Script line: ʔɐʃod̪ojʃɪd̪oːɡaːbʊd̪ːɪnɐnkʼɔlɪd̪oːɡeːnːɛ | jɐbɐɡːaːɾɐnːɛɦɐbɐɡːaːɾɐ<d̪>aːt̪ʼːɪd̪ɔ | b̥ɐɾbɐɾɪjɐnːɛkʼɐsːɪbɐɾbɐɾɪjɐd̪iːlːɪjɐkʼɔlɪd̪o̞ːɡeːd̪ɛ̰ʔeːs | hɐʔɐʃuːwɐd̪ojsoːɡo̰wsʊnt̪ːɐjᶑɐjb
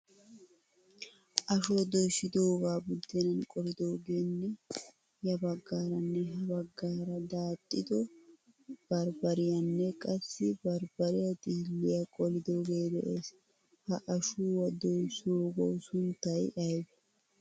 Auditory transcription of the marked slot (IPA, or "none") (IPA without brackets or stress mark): d̪